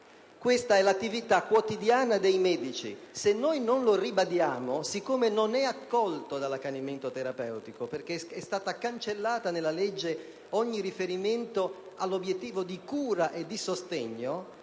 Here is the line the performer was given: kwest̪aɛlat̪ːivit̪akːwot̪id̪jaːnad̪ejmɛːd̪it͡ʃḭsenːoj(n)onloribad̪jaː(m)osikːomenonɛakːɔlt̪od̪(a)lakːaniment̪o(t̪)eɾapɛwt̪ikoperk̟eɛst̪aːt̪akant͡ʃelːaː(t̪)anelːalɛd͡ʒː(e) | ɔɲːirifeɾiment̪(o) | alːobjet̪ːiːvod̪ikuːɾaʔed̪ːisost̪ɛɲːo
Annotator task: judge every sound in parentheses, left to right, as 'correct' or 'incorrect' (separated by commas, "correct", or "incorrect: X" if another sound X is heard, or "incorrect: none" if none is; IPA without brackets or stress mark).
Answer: correct, correct, correct, correct, correct, correct, correct